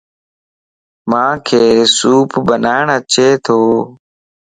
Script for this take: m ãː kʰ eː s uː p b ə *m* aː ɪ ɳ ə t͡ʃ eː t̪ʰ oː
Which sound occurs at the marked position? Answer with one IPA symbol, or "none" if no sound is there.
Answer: n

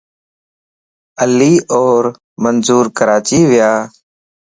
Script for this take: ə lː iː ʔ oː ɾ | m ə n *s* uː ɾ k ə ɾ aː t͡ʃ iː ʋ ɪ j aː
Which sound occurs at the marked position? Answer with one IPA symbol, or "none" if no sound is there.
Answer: z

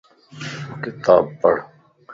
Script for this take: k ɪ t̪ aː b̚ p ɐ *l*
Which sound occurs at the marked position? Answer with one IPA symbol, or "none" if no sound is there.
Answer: ɽ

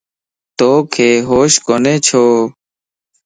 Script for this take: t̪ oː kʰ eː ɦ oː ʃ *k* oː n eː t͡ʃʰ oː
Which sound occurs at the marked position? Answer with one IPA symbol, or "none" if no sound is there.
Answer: k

